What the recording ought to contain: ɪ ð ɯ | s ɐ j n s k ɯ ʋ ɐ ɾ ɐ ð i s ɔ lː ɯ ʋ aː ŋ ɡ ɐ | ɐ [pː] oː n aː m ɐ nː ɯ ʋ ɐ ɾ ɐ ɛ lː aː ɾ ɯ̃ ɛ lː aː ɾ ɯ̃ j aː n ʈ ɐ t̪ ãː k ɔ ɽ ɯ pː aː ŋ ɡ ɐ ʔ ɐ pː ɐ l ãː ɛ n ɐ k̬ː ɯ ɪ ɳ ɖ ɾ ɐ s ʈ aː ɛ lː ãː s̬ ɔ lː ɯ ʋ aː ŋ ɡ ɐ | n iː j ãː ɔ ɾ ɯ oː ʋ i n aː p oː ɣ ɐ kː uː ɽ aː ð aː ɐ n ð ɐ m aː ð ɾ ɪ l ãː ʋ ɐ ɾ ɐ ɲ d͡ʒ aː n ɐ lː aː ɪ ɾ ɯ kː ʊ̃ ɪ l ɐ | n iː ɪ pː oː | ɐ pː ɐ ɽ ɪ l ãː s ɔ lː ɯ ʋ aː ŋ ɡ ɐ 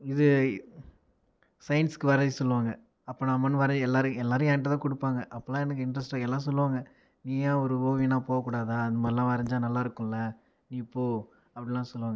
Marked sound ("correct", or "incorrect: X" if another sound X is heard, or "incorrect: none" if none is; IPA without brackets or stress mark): correct